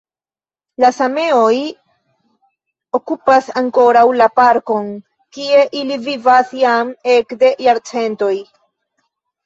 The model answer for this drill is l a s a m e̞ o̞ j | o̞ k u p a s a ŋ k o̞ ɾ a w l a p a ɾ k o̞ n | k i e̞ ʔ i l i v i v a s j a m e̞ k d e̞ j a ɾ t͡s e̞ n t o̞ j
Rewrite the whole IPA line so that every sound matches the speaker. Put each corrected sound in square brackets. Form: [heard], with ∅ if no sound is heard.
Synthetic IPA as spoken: l a s a m e̞ o̞ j | o̞ k u p a s a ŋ k o̞ ɾ a w l a p a ɾ k o̞ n | k i e̞ ʔ i l i v i v a s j a m e̞ k d e̞ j a ɾ t͡s e̞ n t o̞ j